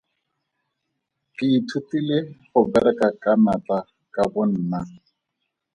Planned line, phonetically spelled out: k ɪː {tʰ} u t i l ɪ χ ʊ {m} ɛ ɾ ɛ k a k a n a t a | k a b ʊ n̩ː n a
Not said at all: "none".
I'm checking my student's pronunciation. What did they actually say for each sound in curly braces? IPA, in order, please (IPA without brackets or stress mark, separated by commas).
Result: tʰ, b